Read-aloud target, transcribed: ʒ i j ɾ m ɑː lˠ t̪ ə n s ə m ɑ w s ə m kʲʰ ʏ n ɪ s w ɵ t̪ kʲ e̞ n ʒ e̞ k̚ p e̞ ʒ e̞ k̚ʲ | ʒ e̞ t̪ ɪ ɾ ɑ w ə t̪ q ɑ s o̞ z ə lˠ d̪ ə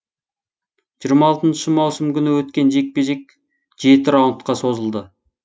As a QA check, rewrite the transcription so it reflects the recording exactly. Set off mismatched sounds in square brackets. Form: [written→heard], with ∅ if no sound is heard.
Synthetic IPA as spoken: ʒ i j ɾ m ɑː lˠ t̪ ə n [s→ʃ] ə m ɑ w s ə m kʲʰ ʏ n ɪ [s→∅] w ɵ t̪ kʲ e̞ n ʒ e̞ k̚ p e̞ ʒ e̞ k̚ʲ | ʒ e̞ t̪ ɪ ɾ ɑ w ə t̪ q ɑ s o̞ z ə lˠ d̪ ə